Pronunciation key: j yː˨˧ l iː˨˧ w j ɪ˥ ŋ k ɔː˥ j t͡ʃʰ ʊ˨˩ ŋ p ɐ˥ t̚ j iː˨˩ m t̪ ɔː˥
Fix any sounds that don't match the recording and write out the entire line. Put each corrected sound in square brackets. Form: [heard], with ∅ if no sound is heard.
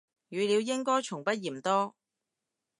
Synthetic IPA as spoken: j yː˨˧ l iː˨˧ w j ɪ˥ ŋ k ɔː˥ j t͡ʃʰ ʊ˨˩ ŋ p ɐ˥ t̚ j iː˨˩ m t̪ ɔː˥